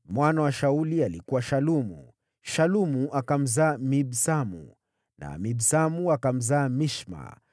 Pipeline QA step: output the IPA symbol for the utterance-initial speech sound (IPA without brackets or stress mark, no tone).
m